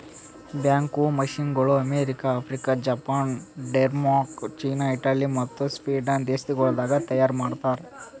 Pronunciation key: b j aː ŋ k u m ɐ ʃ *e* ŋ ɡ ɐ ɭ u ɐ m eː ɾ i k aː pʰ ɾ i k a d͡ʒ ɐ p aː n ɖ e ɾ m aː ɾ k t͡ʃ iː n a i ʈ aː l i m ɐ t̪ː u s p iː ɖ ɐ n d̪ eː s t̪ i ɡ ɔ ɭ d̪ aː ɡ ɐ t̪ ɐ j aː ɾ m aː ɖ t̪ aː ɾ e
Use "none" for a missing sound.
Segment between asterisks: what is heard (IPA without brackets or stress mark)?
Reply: i